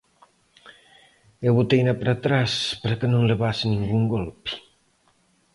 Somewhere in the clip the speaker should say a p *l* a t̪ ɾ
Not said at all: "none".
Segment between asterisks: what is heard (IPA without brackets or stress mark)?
ɾ